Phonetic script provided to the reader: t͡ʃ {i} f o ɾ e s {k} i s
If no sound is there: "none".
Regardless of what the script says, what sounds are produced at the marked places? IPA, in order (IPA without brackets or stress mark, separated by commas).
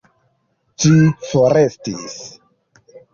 i, t